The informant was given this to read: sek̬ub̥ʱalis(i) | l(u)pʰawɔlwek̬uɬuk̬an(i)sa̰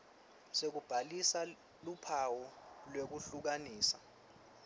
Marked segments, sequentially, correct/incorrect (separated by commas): incorrect, correct, incorrect